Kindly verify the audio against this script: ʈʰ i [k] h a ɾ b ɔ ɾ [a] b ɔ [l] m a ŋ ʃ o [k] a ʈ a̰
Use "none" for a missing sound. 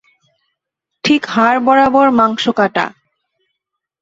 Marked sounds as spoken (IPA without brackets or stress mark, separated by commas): k, a, ɾ, k